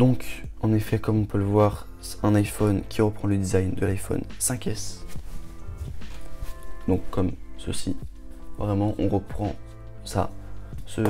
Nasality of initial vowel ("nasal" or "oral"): nasal